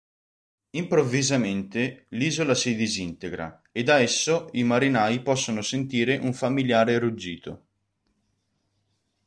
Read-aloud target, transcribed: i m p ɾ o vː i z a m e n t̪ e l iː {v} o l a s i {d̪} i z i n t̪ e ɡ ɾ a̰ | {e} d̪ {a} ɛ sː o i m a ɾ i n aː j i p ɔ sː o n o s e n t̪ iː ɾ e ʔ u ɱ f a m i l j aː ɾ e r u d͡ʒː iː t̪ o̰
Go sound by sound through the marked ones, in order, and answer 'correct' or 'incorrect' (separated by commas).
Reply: incorrect, correct, correct, correct